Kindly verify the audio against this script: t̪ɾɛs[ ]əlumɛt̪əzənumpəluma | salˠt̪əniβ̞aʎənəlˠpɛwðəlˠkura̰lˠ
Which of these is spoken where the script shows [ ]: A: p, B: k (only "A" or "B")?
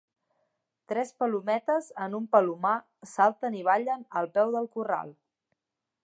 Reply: A